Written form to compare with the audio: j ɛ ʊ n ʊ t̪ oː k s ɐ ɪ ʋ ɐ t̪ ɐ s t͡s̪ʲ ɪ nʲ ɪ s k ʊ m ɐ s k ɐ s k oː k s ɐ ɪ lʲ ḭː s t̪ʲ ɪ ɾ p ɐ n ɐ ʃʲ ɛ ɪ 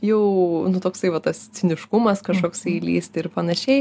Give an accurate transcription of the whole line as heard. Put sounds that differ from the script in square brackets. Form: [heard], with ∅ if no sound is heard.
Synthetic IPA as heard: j ɛ ʊ n ʊ t̪ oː k s ɐ ɪ ʋ ɐ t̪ ɐ s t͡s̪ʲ ɪ nʲ ɪ [ʃ] k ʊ m ɐ s k ɐ [ʃ] k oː k s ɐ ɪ lʲ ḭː s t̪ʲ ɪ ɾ p ɐ n ɐ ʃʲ ɛ ɪ